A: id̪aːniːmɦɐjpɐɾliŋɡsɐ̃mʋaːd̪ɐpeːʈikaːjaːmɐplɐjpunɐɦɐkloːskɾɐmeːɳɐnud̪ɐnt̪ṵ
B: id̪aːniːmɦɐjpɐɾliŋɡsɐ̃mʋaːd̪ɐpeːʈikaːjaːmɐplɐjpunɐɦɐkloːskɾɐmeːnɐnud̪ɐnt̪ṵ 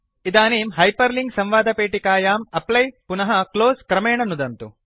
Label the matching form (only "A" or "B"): A